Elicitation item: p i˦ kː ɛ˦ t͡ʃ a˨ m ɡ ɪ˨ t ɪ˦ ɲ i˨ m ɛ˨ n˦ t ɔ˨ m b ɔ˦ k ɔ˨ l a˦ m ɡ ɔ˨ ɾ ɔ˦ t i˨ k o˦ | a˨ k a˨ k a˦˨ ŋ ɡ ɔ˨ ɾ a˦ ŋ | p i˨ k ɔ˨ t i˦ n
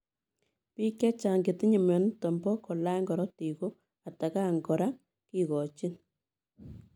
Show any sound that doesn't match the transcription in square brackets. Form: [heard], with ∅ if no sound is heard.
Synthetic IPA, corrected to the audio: p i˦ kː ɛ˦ t͡ʃ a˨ [ŋ] ɡ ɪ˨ t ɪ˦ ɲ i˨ m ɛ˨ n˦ t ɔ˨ m b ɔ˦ k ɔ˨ l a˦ [ŋ] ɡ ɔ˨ ɾ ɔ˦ t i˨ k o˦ | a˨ [t] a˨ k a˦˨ ŋ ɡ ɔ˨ ɾ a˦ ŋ | [k] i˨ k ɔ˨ [t͡ʃ] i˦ n